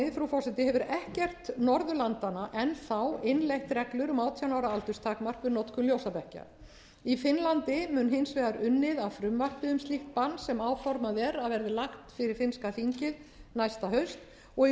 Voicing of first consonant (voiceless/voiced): voiceless